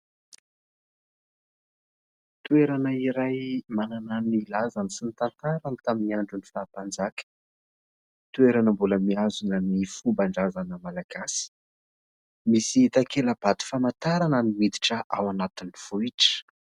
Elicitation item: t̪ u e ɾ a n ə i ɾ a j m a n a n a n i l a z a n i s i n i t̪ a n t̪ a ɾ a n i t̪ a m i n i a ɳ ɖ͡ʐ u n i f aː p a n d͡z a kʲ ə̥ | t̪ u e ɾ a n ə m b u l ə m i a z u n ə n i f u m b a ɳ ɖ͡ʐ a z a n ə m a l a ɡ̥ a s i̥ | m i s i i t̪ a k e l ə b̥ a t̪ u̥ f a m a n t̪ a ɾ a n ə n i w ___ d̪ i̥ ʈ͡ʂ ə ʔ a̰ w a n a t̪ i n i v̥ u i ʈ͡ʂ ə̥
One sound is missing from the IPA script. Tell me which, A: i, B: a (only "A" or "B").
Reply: A